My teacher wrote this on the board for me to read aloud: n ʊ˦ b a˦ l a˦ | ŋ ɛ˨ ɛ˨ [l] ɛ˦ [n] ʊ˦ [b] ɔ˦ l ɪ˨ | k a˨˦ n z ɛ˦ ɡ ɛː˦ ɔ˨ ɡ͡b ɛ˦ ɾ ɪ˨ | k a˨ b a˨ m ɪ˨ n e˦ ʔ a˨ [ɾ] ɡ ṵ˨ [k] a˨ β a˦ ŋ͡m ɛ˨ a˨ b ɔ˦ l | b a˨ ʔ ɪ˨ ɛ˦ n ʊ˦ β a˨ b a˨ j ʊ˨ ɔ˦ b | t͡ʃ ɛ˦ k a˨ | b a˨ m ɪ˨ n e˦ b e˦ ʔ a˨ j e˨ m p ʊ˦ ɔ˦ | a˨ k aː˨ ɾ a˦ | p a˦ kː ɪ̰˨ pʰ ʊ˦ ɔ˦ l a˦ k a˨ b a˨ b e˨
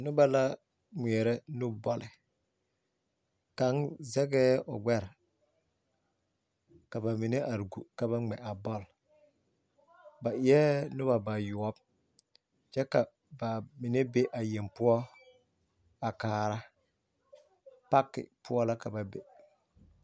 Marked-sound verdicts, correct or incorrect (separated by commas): incorrect, correct, correct, correct, correct